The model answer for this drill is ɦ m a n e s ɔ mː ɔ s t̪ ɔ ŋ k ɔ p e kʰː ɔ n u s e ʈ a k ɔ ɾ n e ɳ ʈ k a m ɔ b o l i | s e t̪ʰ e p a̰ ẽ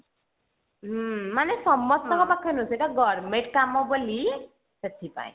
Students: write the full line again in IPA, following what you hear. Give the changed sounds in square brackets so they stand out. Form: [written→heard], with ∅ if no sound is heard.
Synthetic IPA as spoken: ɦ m a n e s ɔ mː ɔ s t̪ ɔ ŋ k ɔ p [e→a] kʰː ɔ n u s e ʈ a [k→ɡ] ɔ ɾ [n→m] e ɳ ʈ k a m ɔ b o l i | s e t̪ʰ [e→i] p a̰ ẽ